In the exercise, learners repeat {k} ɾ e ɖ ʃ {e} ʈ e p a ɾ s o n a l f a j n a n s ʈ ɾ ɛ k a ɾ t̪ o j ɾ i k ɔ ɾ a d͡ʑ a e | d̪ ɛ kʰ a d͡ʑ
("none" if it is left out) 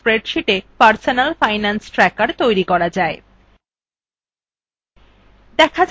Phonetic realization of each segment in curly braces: p, i

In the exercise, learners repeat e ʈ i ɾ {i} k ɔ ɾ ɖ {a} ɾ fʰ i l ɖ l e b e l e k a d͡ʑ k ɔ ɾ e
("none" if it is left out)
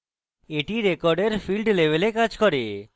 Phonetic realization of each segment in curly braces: e, e

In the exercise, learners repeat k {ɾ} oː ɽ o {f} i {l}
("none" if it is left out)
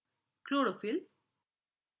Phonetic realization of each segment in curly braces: l, f, l

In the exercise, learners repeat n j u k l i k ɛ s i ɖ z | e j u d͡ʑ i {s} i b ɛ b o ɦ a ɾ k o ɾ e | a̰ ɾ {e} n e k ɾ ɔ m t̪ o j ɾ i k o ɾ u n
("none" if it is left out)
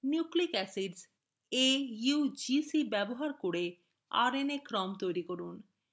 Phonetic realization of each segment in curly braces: s, e

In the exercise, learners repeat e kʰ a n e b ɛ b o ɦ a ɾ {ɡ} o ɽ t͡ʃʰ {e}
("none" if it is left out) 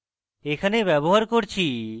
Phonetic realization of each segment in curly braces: k, i

